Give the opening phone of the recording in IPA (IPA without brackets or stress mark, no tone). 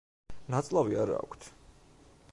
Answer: n